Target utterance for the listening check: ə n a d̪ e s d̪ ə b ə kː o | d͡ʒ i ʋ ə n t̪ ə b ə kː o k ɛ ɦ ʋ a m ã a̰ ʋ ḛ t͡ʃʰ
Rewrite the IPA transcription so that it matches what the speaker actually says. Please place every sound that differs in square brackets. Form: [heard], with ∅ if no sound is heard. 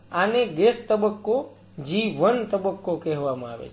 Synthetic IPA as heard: [a] n [e] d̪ e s [t̪] ə b ə kː o | d͡ʒ i ʋ ə n t̪ ə b ə kː o k ɛ ɦ ʋ a m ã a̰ ʋ ḛ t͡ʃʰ